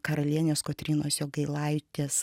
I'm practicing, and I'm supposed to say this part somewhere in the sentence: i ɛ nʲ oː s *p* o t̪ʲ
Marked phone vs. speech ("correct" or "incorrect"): incorrect